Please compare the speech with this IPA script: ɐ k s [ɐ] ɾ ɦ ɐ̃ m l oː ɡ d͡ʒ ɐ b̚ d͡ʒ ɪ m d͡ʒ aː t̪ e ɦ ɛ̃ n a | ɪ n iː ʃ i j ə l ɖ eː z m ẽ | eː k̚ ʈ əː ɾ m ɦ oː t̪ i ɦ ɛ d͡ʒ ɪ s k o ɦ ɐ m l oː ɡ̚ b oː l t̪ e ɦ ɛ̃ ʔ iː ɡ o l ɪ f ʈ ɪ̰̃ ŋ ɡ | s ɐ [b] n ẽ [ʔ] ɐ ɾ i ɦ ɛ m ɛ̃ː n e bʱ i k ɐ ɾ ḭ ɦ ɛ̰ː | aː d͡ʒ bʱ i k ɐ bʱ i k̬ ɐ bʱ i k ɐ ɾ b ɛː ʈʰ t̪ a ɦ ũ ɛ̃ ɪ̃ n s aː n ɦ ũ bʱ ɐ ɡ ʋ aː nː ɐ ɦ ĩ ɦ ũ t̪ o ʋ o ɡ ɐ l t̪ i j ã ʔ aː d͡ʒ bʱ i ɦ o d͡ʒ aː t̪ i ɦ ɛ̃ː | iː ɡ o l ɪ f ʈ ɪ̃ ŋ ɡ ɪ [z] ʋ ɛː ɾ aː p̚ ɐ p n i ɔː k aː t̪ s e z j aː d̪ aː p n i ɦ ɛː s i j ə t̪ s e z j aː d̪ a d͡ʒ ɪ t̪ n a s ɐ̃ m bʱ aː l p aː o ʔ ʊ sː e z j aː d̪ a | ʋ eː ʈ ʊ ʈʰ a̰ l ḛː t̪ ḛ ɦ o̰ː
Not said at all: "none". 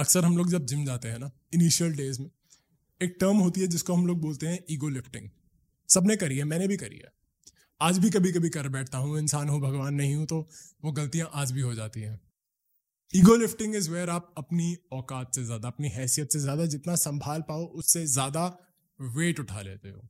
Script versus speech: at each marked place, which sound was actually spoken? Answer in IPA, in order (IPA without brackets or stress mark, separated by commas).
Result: ə, b, k, z